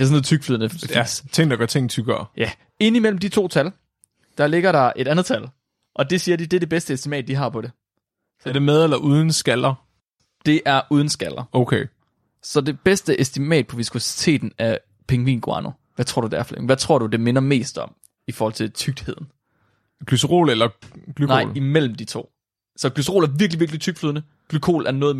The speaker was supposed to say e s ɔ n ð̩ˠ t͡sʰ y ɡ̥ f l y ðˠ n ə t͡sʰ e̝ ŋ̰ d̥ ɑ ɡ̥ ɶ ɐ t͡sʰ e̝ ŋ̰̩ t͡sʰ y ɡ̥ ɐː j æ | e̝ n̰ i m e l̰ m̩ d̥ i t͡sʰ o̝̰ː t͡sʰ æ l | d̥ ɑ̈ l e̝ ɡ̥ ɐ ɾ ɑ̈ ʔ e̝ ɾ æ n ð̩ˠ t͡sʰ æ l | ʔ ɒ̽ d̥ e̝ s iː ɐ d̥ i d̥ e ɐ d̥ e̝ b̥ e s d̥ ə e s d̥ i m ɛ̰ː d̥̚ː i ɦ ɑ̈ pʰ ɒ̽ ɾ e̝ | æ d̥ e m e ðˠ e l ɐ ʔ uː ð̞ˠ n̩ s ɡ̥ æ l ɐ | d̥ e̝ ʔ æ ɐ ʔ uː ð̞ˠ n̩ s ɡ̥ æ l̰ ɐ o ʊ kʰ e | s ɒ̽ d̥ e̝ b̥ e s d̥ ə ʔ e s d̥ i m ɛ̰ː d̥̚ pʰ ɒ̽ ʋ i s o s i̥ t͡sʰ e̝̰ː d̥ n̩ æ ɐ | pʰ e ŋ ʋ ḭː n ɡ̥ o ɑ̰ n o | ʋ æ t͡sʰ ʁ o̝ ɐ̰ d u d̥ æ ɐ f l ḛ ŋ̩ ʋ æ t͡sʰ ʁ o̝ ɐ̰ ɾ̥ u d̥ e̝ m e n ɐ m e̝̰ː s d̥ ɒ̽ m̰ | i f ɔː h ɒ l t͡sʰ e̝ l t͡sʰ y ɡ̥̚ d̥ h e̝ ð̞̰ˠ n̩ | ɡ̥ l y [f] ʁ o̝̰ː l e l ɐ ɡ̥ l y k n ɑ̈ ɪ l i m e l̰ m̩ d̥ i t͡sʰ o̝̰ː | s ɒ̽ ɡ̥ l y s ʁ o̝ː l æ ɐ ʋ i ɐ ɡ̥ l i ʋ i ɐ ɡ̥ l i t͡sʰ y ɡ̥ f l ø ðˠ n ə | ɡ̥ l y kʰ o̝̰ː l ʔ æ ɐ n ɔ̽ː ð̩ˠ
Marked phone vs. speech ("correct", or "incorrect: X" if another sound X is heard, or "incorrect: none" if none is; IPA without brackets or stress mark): incorrect: s